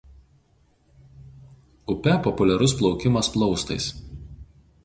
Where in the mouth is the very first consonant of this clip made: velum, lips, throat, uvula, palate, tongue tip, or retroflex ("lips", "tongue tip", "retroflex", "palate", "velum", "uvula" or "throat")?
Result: lips